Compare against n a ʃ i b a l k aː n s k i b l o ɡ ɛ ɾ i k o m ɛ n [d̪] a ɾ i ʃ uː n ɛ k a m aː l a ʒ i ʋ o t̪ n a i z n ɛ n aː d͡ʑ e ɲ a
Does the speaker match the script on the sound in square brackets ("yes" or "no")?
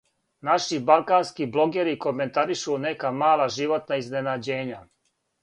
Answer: no